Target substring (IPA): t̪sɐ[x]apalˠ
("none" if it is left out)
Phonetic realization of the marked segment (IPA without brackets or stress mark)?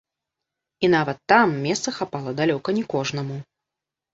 x